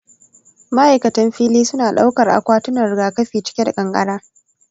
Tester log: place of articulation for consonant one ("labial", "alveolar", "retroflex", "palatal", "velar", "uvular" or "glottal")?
labial